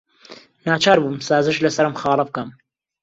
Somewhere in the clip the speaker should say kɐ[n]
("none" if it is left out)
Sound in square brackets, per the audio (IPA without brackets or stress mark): m